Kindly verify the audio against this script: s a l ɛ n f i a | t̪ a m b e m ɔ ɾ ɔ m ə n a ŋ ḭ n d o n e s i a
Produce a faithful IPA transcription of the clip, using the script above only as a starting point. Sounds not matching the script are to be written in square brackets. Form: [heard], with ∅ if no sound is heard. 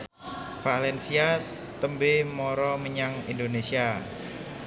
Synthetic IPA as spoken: [f] a l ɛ n [s] i a | t̪ [ə] m b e m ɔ ɾ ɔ m ə [ɲ] a ŋ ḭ n d o n e s i a